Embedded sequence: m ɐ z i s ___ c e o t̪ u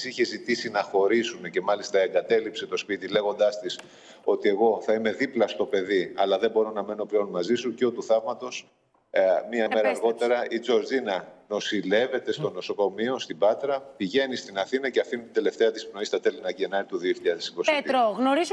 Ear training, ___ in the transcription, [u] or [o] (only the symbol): u